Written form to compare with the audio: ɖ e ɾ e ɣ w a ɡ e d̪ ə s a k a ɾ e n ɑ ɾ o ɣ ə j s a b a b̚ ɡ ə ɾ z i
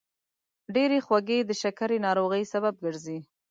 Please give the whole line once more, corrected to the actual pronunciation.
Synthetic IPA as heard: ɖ e ɾ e x w a ɡ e d̪ ə ʃ a k a ɾ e n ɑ ɾ o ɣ ə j s a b a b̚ ɡ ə ɾ z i